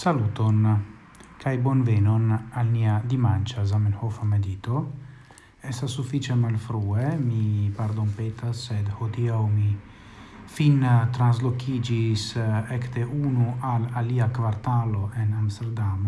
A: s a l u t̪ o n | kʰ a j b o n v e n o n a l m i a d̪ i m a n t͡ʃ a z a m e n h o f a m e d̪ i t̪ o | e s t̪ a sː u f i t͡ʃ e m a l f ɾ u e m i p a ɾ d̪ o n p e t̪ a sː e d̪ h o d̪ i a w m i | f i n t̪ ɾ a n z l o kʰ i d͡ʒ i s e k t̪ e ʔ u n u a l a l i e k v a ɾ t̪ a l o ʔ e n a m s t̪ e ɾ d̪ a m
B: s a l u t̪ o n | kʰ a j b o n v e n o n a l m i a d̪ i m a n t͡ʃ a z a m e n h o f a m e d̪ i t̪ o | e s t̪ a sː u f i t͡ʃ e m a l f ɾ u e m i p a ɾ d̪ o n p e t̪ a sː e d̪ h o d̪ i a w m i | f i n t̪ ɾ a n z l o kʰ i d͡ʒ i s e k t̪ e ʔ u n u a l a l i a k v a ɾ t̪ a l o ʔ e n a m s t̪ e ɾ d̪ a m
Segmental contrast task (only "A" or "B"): B